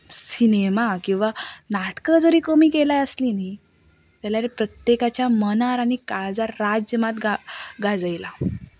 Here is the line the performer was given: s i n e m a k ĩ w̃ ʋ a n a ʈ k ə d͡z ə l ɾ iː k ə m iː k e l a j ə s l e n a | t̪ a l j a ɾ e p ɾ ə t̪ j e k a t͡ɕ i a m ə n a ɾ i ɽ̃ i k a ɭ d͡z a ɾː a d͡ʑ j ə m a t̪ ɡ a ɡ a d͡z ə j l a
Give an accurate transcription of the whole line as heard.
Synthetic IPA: s i n e m a k ĩ w̃ ʋ a n a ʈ k ə d͡z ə ɾ iː k ə m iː k e l a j ə s l i n i | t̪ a l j a ɾ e p ɾ ə t̪ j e k a t͡ɕ j a m ə n a ɾ a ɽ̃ i k a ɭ d͡z a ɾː a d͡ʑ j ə m a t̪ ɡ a ɡ a d͡z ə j l a